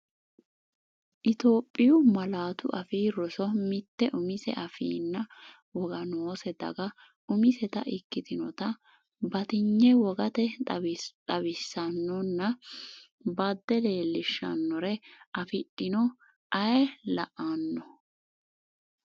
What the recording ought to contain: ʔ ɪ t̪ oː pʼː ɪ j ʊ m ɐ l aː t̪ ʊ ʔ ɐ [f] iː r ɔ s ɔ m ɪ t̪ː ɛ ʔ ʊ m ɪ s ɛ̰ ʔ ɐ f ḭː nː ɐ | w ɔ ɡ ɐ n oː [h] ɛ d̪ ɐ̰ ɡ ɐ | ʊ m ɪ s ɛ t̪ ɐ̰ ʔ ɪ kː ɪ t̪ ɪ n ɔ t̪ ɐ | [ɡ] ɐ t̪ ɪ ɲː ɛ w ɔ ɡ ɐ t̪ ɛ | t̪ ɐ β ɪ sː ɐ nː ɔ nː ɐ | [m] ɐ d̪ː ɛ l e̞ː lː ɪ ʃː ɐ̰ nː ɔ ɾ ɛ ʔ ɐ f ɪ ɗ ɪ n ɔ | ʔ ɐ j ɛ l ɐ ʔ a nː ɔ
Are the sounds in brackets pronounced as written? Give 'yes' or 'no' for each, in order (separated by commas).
yes, no, no, no